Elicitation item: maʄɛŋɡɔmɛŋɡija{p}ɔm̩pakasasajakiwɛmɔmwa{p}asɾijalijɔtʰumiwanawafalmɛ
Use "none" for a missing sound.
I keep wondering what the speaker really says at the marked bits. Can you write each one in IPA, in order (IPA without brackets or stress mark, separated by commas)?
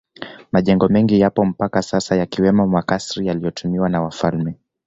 p, k